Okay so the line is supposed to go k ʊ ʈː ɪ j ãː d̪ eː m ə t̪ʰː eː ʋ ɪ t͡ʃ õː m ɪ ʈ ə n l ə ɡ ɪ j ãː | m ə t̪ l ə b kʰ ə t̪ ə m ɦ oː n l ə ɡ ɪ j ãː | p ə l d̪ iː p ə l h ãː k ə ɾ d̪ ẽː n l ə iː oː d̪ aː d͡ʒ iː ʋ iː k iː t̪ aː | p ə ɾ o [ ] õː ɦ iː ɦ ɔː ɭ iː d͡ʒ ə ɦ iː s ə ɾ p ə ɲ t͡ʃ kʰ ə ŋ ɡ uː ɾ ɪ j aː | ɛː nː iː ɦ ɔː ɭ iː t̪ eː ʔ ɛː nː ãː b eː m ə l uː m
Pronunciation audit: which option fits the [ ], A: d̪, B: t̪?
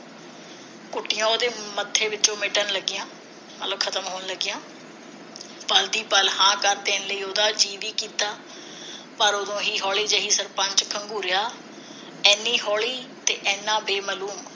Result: A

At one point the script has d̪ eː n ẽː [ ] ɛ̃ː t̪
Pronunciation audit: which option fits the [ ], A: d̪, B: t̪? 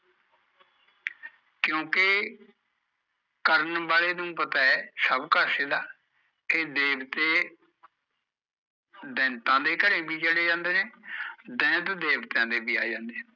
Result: A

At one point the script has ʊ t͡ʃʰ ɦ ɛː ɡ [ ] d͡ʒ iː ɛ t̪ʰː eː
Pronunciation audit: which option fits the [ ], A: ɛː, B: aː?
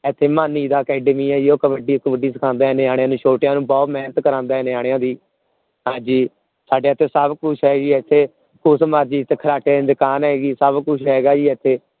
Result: B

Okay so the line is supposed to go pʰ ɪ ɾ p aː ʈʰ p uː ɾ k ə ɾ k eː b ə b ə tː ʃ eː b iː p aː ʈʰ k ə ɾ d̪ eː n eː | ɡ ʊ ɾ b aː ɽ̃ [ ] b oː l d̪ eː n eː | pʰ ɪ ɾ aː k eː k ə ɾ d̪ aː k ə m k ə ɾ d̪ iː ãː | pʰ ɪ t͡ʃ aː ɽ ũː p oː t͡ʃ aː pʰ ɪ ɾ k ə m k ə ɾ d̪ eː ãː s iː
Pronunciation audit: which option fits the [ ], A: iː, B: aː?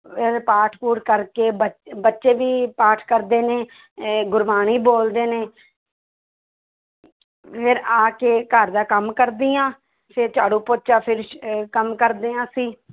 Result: A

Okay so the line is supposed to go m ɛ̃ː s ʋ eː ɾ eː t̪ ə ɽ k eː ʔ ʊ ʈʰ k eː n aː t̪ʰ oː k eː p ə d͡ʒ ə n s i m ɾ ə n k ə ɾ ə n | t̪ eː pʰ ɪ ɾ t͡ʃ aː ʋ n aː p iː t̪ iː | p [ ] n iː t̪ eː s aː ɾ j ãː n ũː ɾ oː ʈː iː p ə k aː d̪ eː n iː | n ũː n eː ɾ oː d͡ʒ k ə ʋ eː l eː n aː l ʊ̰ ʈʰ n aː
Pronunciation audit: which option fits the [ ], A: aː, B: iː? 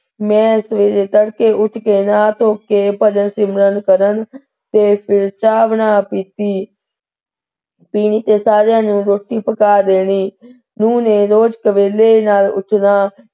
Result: B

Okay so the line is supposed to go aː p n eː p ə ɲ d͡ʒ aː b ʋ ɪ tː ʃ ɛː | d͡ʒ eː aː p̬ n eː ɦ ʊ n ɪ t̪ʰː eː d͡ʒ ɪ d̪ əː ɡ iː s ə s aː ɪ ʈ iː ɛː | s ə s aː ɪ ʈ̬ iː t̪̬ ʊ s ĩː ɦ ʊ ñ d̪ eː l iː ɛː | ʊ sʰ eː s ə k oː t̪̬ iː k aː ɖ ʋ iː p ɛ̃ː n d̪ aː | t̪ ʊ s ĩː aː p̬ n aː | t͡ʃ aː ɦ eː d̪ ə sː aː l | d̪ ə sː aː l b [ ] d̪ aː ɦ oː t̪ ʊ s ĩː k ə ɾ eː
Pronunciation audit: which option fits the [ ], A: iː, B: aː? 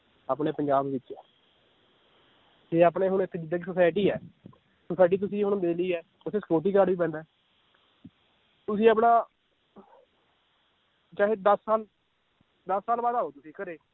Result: B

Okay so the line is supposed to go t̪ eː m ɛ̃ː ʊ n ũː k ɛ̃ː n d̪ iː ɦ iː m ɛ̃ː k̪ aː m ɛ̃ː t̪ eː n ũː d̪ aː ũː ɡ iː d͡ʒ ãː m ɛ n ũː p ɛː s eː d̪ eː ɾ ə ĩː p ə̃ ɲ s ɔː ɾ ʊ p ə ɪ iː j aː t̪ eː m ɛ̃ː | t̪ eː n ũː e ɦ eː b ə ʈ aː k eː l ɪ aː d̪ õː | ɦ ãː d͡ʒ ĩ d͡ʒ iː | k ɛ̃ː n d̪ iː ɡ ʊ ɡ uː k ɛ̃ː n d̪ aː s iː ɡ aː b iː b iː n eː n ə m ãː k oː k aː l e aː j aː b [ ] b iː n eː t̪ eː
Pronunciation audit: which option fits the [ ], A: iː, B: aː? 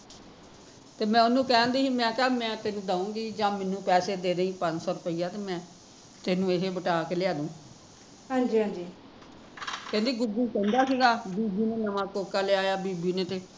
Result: A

